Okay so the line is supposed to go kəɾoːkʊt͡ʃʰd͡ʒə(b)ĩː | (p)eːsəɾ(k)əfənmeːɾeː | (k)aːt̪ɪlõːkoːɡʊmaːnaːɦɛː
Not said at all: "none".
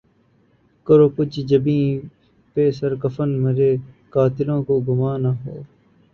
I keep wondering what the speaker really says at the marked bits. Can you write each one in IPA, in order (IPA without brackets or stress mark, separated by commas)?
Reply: b, p, k, k